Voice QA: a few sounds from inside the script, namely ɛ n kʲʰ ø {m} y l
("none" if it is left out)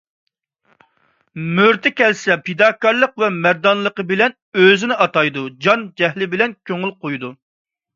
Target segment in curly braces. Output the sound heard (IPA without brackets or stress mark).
ŋ